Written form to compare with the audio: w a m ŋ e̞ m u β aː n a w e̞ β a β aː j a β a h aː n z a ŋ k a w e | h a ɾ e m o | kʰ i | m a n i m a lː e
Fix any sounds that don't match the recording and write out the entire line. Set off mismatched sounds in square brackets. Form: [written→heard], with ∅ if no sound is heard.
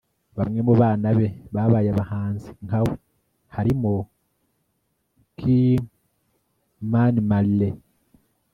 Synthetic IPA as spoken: [w→β] a m ŋ e̞ m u β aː n a [w→β] e̞ β a β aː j a β a h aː n z [a→i] ŋ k a w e | h a ɾ [e→i] m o | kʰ i | m a n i m a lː e